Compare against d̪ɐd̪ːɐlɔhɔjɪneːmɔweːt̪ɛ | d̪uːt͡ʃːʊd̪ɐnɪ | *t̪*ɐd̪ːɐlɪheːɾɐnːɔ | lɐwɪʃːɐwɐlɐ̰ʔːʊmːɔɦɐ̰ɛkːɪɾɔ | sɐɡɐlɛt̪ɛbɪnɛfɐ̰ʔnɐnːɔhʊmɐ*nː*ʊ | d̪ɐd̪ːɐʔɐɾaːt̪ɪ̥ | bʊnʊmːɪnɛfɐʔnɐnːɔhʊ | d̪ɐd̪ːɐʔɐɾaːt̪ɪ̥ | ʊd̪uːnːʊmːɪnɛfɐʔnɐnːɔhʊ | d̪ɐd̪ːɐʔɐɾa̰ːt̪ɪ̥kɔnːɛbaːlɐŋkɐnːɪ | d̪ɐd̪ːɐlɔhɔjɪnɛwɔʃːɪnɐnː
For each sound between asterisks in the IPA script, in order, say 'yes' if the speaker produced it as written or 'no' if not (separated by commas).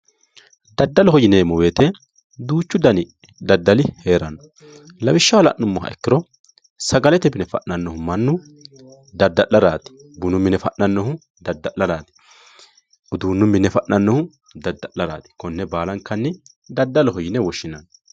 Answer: no, yes